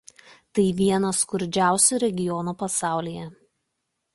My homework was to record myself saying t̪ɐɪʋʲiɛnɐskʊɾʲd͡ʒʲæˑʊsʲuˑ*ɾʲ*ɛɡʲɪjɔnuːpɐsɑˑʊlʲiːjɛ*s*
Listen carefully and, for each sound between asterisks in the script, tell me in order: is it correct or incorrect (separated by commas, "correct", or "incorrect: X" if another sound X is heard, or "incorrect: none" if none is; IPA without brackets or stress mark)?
correct, incorrect: none